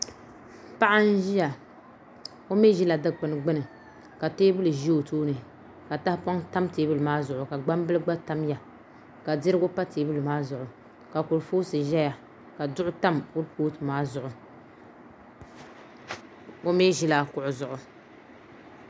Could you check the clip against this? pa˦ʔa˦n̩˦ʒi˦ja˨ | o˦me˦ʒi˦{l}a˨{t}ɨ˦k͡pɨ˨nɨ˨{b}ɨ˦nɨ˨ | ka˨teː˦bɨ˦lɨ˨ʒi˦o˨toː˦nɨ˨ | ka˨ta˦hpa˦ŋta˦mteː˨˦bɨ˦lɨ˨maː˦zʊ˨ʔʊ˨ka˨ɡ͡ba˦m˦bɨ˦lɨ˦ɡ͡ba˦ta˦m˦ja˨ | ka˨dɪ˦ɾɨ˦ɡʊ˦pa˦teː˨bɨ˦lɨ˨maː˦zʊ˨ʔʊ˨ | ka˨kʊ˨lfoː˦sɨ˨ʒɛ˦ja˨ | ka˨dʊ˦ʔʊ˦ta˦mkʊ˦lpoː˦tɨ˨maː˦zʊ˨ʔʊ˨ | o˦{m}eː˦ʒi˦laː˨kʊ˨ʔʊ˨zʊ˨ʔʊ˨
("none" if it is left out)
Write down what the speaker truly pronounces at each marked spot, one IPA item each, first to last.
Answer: l, d, ɡ͡b, m

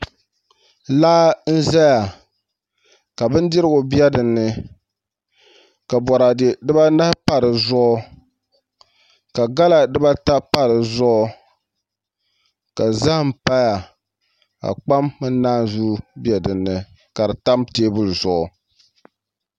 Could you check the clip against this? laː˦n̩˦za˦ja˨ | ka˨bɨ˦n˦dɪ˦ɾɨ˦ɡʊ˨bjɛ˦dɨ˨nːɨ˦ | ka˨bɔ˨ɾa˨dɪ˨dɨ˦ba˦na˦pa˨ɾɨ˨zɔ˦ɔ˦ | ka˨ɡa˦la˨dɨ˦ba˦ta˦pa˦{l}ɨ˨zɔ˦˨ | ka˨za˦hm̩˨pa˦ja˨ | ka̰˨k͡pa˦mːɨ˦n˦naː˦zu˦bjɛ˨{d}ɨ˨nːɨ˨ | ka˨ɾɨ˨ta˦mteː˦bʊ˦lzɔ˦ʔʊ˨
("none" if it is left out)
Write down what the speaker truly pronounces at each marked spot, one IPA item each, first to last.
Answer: ɾ, d

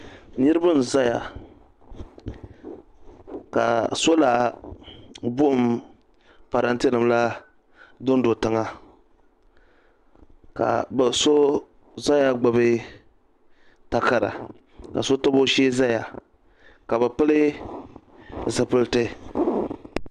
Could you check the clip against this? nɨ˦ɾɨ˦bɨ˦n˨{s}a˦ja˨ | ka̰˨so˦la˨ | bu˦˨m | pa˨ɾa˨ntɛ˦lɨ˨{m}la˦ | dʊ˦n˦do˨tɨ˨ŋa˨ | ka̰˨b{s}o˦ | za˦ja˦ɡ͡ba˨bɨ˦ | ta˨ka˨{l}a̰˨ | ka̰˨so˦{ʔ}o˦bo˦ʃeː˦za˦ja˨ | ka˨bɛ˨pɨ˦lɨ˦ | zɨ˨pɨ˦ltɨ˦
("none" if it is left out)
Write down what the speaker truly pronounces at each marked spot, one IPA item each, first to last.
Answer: z, m, s, ɾ, t

